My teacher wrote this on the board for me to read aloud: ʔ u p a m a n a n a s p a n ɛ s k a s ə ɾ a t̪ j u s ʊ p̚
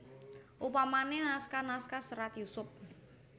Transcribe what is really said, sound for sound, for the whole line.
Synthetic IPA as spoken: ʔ u p a m a n e n a s k a n a s k a s ə ɾ a t̪ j u s ʊ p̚